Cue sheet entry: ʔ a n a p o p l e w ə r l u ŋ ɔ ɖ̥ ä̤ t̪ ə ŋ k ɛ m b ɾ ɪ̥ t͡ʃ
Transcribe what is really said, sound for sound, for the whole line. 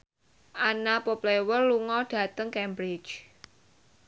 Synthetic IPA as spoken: ʔ a n a p o p l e w ə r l u ŋ ɔ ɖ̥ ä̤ t̪ ə ŋ k ɛ m b ɾ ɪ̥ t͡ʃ